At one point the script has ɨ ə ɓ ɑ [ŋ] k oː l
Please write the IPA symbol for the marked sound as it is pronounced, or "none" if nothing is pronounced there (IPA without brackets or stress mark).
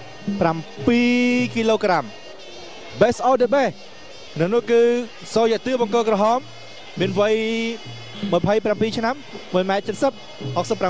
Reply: ŋ